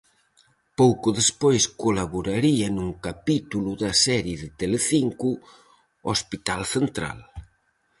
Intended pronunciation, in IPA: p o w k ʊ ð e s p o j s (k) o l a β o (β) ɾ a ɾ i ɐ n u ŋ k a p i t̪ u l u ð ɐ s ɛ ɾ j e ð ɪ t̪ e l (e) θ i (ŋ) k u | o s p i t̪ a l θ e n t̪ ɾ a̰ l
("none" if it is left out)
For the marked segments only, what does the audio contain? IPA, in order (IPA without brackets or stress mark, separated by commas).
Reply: k, none, e, ŋ